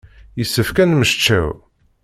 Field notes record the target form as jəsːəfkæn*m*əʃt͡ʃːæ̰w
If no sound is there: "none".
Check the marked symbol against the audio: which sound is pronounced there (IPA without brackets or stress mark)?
m